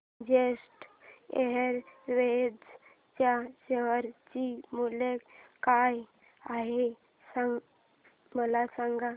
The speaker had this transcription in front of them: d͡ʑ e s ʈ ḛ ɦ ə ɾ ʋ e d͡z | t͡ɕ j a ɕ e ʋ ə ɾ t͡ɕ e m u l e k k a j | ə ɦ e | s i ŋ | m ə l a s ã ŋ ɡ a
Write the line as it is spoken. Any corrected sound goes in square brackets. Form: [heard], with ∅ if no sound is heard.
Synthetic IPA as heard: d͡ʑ e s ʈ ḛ ɦ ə ɾ ʋ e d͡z | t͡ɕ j a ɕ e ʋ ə ɾ t͡ɕ [i] m u l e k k a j | [a] ɦ e | s [a] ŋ | m ə l a s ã ŋ ɡ a